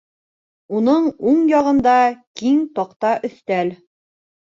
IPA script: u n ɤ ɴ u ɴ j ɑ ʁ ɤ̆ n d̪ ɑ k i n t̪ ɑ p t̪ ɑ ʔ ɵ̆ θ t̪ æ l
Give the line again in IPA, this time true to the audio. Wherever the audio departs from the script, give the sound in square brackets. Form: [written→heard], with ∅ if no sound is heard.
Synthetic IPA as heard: u n ɤ ɴ u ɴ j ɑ ʁ ɤ̆ n d̪ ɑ k i [n→ŋ] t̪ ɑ [p→q] t̪ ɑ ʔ ɵ̆ θ t̪ æ l